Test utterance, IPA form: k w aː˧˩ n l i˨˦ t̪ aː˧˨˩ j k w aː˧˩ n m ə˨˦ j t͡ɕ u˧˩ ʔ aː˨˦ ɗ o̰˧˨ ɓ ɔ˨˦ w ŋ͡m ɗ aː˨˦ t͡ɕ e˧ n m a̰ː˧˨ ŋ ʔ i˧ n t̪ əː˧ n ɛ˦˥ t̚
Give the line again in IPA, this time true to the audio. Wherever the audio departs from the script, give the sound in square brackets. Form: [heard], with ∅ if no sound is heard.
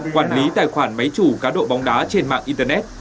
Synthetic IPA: k w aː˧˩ n l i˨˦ t̪ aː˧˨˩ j [x] w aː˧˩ n m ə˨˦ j t͡ɕ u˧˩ [k] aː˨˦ ɗ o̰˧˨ ɓ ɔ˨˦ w ŋ͡m ɗ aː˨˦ t͡ɕ e˧ n m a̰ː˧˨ ŋ ʔ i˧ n t̪ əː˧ n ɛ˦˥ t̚